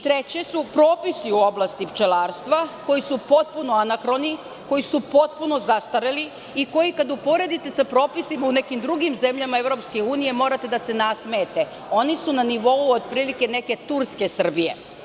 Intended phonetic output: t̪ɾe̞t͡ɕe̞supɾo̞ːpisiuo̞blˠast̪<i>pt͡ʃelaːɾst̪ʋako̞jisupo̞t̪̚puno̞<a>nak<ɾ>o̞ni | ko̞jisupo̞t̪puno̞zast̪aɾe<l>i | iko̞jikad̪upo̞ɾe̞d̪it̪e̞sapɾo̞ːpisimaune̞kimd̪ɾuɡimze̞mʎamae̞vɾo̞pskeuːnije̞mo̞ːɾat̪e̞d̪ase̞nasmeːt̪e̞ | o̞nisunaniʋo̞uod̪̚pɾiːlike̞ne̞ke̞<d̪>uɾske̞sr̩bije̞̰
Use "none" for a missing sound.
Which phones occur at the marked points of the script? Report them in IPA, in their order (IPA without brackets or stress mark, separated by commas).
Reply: i, a, ɾ, l, t̪